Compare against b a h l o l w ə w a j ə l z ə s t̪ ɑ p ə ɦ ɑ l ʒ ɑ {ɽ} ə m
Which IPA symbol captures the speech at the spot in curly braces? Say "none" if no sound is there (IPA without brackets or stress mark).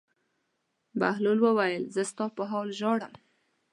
ɽ